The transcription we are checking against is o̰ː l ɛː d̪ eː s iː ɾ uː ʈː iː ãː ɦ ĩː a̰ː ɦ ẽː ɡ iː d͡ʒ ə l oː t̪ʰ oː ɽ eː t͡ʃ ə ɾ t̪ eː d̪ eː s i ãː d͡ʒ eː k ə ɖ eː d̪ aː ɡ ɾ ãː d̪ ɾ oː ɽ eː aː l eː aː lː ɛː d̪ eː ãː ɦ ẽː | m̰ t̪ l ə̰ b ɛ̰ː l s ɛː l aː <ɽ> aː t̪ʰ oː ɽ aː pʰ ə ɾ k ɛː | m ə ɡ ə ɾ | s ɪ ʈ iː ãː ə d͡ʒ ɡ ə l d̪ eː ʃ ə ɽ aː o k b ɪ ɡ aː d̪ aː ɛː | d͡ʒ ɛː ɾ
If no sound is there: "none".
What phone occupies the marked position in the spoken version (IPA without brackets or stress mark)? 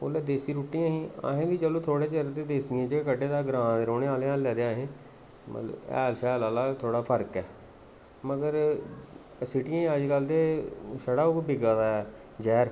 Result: l